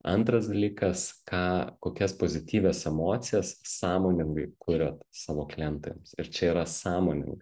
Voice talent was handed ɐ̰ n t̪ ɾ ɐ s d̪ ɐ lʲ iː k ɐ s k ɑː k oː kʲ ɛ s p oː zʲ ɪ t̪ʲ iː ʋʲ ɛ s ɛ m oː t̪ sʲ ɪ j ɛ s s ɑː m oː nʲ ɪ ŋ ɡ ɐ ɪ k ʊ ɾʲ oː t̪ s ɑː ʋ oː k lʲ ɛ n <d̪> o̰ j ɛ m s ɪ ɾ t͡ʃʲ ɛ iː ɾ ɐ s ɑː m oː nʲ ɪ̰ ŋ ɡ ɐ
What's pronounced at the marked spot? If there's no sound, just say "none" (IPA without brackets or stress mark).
t̪